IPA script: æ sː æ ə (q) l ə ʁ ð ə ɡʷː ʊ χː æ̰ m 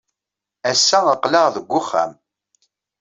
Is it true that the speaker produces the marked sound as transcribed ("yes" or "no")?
yes